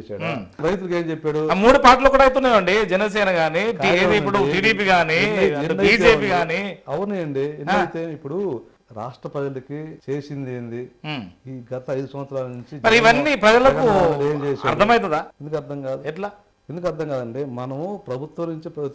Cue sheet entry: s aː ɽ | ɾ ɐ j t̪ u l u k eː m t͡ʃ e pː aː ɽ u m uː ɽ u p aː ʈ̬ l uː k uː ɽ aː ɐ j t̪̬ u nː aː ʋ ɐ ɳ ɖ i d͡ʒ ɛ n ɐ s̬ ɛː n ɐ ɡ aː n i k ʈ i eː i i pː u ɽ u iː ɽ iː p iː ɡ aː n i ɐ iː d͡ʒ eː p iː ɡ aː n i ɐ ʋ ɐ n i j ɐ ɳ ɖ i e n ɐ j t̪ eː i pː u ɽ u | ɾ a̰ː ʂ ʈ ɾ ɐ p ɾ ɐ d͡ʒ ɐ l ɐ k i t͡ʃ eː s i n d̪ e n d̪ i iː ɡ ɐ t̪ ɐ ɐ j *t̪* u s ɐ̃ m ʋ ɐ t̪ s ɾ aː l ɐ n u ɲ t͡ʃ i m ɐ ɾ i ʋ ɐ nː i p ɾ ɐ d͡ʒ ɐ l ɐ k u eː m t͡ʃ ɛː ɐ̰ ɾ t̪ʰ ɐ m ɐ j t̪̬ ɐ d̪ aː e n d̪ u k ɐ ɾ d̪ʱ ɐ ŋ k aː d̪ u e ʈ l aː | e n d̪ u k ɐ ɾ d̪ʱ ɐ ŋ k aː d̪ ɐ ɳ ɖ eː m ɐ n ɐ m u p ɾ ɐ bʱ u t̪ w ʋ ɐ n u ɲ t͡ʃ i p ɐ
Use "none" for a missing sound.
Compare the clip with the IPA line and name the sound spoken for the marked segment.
d̪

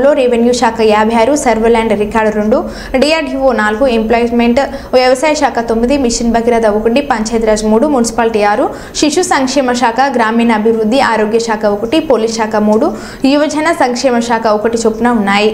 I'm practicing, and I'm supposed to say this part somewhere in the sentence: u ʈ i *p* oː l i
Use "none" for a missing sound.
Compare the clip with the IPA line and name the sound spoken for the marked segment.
p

